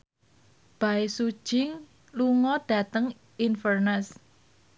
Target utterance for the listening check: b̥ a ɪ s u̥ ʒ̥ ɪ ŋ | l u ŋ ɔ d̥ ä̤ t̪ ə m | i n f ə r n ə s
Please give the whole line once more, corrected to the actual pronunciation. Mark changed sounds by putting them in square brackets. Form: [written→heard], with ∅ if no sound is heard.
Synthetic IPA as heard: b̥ a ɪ s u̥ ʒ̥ ɪ ŋ | l u ŋ ɔ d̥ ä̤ t̪ ə [m→ŋ] | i n f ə r n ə s

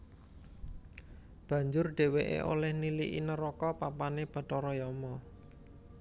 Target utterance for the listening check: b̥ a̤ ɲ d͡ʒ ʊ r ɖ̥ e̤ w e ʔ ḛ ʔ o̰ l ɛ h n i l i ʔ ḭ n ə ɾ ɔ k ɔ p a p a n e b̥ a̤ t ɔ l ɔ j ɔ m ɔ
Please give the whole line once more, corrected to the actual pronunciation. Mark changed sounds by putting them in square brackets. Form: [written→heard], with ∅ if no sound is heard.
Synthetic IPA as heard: b̥ a̤ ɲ d͡ʒ ʊ r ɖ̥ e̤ w e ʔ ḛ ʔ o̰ l ɛ h n i l i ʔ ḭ n ə ɾ ɔ k ɔ p a p a n e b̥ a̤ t ɔ [l→ɾ] ɔ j ɔ m ɔ

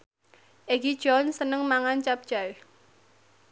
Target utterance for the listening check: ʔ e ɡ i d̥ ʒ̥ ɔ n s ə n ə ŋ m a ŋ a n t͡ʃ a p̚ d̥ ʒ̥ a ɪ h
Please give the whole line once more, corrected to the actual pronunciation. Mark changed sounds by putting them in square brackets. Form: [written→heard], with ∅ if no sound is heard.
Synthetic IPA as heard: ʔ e ɡ i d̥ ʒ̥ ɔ n s ə n ə ŋ m a ŋ a n t͡ʃ a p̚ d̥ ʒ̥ a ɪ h

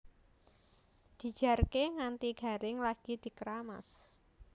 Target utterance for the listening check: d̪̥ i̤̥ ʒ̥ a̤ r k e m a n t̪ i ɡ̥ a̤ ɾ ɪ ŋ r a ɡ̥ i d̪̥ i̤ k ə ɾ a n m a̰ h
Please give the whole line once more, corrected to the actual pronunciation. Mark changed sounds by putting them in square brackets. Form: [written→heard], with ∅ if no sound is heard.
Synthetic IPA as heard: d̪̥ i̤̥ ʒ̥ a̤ r k e [m→ŋ] a n t̪ i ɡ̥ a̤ ɾ ɪ ŋ [r→l] a ɡ̥ i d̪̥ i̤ k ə ɾ a [n→∅] m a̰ [h→s]

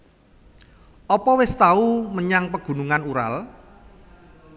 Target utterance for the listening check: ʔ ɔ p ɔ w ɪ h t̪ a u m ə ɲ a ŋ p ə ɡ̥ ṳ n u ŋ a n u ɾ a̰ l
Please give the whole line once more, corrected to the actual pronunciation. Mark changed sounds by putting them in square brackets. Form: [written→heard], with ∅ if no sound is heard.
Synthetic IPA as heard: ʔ ɔ p ɔ w ɪ [h→s] t̪ a u m ə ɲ a ŋ p ə ɡ̥ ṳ n u ŋ a n u ɾ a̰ l

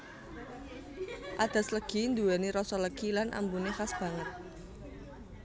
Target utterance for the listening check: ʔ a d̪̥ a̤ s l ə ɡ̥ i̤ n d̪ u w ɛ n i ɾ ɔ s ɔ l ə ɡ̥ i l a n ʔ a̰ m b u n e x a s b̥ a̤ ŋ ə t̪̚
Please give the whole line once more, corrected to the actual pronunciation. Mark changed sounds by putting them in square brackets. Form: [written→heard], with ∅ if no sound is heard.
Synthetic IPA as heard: ʔ a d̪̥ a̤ s l ə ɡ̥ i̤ n d̪ u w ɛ n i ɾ ɔ s ɔ l ə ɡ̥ i l a n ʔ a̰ m b u n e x a s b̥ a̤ ŋ ə t̪̚

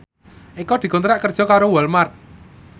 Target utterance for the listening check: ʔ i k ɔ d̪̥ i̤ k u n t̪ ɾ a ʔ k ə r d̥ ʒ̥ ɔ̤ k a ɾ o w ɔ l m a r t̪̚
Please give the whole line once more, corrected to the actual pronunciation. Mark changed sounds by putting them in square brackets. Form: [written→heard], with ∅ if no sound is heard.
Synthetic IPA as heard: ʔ i k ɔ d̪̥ i̤ k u n t̪ ɾ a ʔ k ə r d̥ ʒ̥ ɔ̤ k a ɾ o w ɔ l m a r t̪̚

